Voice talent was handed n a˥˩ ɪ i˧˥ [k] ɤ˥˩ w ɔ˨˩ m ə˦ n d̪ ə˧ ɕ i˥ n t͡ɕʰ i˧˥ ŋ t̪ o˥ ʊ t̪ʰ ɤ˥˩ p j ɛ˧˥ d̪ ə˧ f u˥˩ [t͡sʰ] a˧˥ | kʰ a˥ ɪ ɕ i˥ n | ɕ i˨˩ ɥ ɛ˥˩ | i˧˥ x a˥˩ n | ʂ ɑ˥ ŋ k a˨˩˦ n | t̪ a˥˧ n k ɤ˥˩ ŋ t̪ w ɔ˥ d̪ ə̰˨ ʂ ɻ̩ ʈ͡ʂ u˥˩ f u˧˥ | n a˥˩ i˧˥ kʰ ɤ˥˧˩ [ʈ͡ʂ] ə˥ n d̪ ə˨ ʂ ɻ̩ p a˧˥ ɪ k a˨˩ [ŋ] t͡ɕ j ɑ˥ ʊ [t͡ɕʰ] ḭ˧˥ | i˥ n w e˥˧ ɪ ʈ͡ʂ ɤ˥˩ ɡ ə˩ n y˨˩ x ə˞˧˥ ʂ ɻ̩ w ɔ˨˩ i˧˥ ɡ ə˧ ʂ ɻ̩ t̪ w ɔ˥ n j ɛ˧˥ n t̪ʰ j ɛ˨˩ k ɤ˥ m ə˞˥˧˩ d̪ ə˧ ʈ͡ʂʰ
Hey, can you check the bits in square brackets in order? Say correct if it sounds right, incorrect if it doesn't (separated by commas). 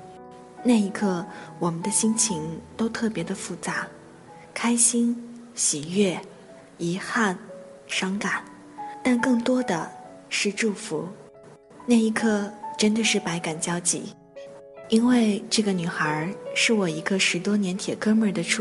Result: incorrect, incorrect, correct, incorrect, incorrect